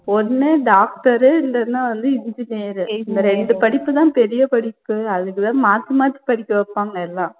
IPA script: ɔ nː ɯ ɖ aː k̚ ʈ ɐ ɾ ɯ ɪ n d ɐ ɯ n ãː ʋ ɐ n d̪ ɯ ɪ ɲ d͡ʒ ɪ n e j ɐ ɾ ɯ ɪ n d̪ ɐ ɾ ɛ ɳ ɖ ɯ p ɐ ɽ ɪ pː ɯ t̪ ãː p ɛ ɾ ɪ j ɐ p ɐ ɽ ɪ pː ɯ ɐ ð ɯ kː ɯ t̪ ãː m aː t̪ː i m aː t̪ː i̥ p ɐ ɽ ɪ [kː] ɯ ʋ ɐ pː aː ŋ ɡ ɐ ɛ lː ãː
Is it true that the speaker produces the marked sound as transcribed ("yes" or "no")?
yes